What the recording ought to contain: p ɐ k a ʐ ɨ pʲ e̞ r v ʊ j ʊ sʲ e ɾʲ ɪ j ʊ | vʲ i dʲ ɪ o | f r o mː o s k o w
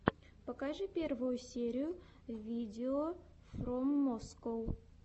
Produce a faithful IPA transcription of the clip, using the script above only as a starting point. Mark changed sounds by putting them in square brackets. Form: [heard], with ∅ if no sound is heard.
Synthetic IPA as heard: p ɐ k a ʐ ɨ pʲ e̞ r v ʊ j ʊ sʲ e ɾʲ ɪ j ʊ | vʲ i dʲ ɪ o | f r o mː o s k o w